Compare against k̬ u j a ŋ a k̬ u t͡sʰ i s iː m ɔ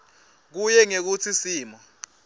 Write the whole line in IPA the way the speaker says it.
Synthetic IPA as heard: k̬ u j ɛ ŋ e k̬ u t͡sʰ i s iː m ɔ